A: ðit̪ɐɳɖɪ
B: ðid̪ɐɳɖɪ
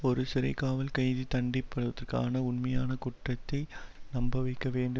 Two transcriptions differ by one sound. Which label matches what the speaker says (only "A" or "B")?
A